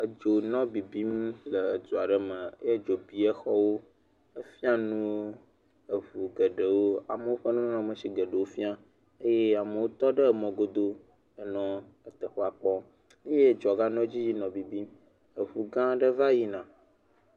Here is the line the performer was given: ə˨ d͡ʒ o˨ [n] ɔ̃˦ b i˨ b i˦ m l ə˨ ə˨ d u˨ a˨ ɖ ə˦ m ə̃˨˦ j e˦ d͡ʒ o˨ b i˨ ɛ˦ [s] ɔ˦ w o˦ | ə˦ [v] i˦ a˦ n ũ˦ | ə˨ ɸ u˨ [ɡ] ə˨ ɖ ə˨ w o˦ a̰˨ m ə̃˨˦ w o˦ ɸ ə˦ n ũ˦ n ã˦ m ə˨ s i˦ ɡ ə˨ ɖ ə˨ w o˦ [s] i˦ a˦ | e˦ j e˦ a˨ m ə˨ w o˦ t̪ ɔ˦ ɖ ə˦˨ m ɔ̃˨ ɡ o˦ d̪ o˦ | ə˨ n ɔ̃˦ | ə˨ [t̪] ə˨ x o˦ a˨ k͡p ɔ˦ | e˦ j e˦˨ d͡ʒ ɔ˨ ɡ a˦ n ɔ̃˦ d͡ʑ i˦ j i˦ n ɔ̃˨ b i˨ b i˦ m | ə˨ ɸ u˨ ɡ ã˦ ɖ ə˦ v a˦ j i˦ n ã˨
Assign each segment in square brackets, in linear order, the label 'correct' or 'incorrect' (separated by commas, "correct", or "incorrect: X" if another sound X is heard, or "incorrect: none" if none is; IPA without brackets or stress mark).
correct, incorrect: x, incorrect: f, correct, incorrect: f, correct